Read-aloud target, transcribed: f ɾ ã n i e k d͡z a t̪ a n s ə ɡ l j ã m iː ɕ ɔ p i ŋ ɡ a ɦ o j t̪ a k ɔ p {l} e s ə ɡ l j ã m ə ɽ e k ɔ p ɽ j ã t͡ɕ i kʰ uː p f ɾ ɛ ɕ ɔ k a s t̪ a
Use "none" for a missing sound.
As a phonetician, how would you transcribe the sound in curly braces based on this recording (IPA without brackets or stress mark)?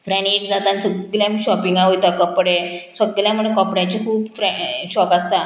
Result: ɽ